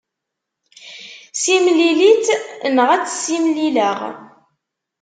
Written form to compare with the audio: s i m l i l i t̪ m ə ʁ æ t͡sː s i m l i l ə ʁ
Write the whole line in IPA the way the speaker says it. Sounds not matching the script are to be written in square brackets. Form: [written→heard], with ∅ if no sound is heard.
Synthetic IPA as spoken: s i m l i l i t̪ [m→n] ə ʁ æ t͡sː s i m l i l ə ʁ

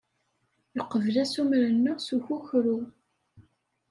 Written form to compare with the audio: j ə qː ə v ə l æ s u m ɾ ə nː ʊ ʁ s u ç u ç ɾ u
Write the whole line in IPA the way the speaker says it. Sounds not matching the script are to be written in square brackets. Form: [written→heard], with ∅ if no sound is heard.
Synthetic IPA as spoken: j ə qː ə v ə l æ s u m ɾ ə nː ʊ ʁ s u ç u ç ɾ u

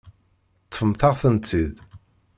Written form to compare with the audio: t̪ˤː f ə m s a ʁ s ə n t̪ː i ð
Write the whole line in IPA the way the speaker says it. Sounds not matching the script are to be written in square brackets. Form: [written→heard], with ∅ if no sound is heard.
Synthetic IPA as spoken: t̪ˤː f ə m [s→θ] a ʁ [s→θ] ə n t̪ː i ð

